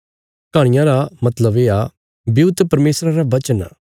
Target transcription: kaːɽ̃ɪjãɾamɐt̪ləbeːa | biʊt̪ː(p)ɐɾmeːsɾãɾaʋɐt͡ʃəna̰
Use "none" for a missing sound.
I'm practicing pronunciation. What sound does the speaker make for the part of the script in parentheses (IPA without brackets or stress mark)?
p